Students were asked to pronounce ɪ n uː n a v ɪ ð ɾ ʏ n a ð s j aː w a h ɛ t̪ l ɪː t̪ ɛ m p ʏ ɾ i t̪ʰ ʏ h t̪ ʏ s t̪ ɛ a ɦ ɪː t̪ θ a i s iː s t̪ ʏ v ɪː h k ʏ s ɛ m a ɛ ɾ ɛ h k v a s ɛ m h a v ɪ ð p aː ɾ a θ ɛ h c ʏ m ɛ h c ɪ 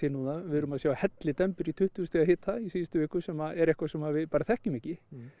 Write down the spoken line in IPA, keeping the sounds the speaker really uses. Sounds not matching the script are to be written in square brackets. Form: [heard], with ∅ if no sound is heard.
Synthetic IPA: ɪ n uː n a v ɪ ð ɾ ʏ [m] a ð s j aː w a h ɛ t̪ l [ɪ] t̪ ɛ m p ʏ ɾ i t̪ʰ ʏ h t̪ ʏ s t̪ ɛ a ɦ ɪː t̪ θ a i s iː s t̪ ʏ v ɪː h k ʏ s ɛ m a ɛ ɾ ɛ h k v a s ɛ m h a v ɪ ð p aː ɾ a θ ɛ h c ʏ m ɛ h c ɪ